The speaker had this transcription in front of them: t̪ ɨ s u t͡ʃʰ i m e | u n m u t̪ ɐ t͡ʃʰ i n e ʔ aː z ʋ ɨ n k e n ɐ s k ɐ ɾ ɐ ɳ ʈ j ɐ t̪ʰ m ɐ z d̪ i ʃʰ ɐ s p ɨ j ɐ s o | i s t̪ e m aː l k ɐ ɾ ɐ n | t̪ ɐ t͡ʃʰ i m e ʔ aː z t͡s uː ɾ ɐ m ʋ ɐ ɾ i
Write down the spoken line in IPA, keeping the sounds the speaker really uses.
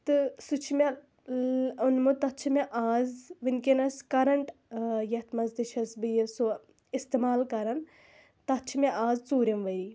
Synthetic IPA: t̪ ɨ s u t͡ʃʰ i m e | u n m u t̪ ɐ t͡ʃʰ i m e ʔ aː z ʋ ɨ n k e n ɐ s k ɐ ɾ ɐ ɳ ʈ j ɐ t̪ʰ m ɐ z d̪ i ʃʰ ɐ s b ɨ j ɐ s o | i s t̪ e m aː l k ɐ ɾ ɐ n | t̪ ɐ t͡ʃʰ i m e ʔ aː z t͡s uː ɾ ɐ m ʋ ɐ ɾ i